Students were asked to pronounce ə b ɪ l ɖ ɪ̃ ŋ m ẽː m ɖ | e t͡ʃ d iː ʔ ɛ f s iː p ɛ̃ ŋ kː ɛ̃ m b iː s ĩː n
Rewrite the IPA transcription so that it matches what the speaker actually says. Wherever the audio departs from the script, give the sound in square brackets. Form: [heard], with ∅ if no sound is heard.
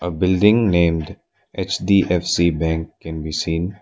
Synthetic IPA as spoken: ə b ɪ l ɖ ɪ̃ ŋ [n] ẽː m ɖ | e t͡ʃ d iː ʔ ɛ f s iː [b] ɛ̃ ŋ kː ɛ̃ [n] b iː s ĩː n